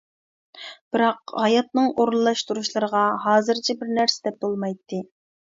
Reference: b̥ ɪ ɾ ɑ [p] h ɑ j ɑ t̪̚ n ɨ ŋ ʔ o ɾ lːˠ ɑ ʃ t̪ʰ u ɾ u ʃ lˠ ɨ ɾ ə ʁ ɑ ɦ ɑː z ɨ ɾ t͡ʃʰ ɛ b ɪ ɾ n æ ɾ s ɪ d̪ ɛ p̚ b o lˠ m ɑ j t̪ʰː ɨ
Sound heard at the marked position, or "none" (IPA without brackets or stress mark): q